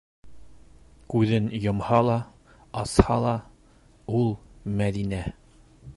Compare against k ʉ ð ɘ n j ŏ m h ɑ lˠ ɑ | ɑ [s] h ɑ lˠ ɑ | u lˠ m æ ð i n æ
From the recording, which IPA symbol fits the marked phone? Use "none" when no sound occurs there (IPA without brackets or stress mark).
s